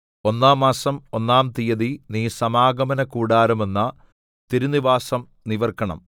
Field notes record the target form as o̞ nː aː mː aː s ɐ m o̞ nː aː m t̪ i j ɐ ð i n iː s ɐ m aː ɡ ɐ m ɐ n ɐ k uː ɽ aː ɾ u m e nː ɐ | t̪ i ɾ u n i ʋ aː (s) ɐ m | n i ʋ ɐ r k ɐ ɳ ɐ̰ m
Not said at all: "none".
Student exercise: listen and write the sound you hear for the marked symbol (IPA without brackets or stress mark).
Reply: s